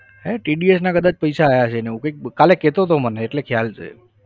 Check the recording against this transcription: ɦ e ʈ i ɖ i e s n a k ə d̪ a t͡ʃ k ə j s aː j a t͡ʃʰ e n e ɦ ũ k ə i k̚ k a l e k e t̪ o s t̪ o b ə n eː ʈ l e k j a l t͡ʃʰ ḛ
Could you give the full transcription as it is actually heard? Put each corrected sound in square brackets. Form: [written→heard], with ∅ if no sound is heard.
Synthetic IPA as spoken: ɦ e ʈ i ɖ i e s n a k ə d̪ a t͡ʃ [k→p] ə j s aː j a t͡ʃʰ e n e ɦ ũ k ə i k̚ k a l e k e t̪ o [s→∅] t̪ o [b→m] ə n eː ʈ l e [k→kʰ] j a l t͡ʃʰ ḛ